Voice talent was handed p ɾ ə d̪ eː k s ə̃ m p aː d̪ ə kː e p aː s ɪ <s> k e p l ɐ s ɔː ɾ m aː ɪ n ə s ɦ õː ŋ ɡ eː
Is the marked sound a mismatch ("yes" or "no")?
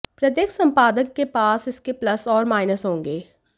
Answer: no